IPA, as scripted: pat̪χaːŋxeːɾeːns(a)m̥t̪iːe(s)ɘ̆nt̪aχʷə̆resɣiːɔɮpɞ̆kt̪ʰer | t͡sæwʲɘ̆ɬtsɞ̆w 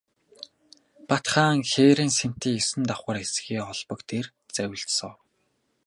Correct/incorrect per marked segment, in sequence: incorrect: e, correct

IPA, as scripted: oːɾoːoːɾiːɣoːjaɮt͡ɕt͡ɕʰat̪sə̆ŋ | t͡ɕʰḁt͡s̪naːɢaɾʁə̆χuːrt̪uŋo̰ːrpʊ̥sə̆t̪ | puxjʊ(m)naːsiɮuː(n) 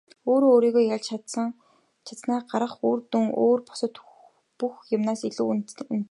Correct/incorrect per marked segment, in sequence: correct, correct

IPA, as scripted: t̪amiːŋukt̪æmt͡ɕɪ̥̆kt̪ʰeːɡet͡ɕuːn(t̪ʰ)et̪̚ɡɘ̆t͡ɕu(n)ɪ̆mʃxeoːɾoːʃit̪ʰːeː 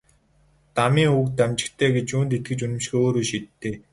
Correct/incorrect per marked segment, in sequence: incorrect: t̪, correct

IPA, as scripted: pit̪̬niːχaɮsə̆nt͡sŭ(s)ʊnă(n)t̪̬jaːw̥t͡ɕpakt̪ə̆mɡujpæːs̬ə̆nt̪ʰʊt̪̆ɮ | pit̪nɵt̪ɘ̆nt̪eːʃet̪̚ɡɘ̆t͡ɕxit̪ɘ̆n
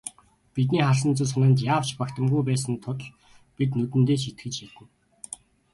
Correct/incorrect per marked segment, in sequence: correct, correct

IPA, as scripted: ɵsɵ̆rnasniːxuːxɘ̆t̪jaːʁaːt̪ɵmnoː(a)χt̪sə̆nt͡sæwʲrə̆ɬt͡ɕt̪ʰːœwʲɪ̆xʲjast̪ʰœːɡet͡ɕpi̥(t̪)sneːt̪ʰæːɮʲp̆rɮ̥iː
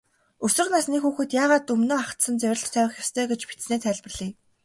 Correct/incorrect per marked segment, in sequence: correct, correct

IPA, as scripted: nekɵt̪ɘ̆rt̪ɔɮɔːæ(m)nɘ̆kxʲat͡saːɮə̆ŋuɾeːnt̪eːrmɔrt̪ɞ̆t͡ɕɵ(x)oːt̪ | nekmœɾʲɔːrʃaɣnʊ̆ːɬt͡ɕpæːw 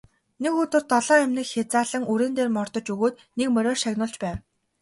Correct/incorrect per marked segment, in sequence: correct, incorrect: ɣ

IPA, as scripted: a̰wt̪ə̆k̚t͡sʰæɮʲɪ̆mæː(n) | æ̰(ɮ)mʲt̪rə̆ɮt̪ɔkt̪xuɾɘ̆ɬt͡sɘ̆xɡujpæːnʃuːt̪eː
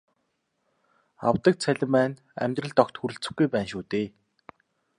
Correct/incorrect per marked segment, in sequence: correct, incorrect: none

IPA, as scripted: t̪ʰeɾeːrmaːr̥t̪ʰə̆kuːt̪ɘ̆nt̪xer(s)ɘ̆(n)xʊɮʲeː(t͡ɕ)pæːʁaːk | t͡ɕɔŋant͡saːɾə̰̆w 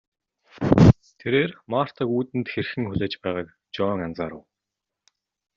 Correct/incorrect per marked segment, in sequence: incorrect: x, incorrect: ŋ, correct

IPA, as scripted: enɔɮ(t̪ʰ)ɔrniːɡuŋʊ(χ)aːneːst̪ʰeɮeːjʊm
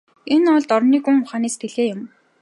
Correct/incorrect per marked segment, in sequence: incorrect: t̪, correct

